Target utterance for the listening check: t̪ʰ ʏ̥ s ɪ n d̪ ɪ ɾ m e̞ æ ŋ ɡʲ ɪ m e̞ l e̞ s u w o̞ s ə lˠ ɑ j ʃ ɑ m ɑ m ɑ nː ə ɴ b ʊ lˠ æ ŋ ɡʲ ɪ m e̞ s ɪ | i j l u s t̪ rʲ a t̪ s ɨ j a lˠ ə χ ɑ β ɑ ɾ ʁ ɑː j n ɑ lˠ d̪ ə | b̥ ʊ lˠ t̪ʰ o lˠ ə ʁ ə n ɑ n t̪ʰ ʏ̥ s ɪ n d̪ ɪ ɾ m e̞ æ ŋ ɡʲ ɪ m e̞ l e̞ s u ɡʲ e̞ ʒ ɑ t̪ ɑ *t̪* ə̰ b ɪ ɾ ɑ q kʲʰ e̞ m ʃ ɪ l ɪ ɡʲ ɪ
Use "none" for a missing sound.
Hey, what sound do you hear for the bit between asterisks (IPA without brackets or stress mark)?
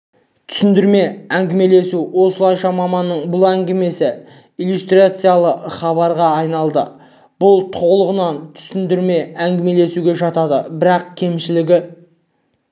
d̪